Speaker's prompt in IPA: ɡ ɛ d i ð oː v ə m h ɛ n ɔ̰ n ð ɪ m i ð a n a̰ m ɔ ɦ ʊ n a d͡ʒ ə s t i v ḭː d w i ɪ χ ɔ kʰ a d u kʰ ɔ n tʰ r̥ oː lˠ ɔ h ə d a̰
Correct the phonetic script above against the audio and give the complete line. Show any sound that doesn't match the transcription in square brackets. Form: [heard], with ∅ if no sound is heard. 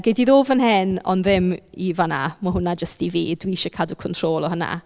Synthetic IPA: ɡ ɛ d i ð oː v ə [n] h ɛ n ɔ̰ n ð ɪ m i [v] a n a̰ m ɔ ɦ ʊ n a d͡ʒ ə s t i v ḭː d w i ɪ [ʃ] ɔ kʰ a d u kʰ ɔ n tʰ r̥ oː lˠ ɔ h ə [n] a̰